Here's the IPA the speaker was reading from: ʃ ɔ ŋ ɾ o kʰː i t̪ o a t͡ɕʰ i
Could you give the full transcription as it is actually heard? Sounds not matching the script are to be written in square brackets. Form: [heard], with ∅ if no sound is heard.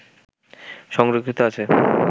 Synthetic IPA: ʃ ɔ ŋ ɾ o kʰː i t̪ o a t͡ɕʰ [e]